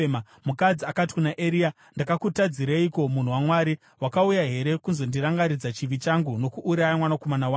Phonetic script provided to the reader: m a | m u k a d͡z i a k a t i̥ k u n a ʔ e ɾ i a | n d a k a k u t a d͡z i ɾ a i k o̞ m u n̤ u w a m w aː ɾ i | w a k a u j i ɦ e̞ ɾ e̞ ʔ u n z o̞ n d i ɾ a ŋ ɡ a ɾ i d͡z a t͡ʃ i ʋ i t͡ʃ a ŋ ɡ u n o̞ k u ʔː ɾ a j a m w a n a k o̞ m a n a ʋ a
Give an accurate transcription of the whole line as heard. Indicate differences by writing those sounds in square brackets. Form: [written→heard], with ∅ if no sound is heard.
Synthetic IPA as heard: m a | m u k a d͡z i a k a t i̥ k u n a ʔ e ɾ i a | n d a k a k u t a d͡z i ɾ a i k o̞ m u n̤ u w a m w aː ɾ i | w a k a u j [i→a] ɦ e̞ ɾ e̞ [ʔ→k] u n z o̞ n d i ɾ a ŋ ɡ a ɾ i d͡z a t͡ʃ i ʋ i t͡ʃ a ŋ ɡ u n o̞ k u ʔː ɾ a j a m w a n a k o̞ m a n a [ʋ→w] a